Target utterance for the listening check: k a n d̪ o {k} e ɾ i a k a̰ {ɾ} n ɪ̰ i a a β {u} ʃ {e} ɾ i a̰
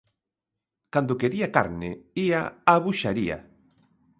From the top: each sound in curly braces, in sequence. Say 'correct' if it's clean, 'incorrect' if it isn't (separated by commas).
correct, correct, correct, incorrect